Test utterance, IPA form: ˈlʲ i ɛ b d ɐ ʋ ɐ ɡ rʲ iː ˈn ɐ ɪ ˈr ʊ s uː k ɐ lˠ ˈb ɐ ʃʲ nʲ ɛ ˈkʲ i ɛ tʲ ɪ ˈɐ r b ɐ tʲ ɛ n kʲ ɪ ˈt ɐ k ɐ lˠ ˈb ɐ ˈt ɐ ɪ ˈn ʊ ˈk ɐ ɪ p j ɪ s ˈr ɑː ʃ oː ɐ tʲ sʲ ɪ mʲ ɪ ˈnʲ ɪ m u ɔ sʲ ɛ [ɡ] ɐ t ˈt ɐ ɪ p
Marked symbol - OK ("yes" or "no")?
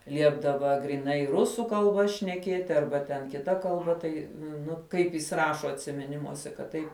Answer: no